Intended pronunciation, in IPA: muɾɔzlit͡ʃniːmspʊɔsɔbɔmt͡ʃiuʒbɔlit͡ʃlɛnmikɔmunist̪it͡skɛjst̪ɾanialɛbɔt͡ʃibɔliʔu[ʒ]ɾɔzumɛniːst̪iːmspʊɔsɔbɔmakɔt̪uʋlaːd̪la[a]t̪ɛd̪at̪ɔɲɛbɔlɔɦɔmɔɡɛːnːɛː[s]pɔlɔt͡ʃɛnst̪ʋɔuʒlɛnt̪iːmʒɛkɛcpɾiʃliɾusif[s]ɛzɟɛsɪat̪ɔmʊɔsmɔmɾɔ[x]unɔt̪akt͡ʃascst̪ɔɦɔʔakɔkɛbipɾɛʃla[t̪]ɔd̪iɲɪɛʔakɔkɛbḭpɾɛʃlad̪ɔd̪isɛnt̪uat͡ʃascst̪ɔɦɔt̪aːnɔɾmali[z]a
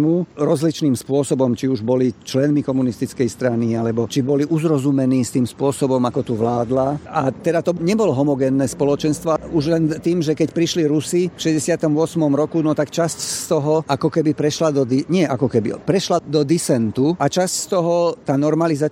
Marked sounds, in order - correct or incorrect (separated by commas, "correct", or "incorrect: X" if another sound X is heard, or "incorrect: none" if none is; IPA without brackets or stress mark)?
incorrect: z, correct, correct, incorrect: ʃ, incorrect: k, incorrect: d̪, correct